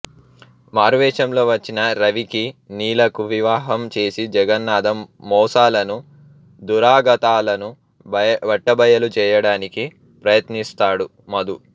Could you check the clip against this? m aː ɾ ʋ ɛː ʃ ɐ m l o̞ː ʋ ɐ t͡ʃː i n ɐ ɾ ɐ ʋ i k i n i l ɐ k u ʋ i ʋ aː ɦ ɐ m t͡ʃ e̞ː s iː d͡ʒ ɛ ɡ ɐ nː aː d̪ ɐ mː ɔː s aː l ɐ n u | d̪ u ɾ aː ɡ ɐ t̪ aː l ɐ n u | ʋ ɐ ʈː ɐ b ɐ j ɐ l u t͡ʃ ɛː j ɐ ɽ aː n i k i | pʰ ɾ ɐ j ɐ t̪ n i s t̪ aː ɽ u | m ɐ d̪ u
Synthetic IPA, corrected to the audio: m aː ɾ ʋ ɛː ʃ ɐ m l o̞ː ʋ ɐ t͡ʃː i n ɐ ɾ ɐ ʋ i k i n iː l ɐ k u ʋ i ʋ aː ɦ ɐ m t͡ʃ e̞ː s i d͡ʒ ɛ ɡ ɐ nː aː d̪ ɐ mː ɔː s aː l ɐ n u | d̪ u ɾ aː ɡ ɐ t̪ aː l ɐ n u | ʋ ɐ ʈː ɐ b ɐ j ɐ l u t͡ʃ ɛː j ɐ ɽ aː n i k i | p ɾ ɐ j ɐ t̪ n i s t̪ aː ɽ u | m ɐ d̪ u